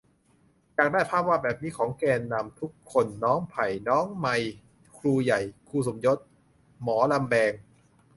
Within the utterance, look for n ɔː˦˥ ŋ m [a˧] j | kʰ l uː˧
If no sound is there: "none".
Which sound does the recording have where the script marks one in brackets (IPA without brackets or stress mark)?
a˧